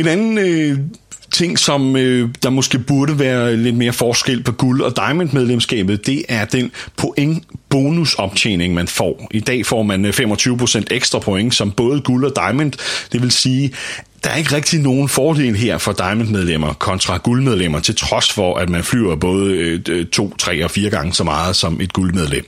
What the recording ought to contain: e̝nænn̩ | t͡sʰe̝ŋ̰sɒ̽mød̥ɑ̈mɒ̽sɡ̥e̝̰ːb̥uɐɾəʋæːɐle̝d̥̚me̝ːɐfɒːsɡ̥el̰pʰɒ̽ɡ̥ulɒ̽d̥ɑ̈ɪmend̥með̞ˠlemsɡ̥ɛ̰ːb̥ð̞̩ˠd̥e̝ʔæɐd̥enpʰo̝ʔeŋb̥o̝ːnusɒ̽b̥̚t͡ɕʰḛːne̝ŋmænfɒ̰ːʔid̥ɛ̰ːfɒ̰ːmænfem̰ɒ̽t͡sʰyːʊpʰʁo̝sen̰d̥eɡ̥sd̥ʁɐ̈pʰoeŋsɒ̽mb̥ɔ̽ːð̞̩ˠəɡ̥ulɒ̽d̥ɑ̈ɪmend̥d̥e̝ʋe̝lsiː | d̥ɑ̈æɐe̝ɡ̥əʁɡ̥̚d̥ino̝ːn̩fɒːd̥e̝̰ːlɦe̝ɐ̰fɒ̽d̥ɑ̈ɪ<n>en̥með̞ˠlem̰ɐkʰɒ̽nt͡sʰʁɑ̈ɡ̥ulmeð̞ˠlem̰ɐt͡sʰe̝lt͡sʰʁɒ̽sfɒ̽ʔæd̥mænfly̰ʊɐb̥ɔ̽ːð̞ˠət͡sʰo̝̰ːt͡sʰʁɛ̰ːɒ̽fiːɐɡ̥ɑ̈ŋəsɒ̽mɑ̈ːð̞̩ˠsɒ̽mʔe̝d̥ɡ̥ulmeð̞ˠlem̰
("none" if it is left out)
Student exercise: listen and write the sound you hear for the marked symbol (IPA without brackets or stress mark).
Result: m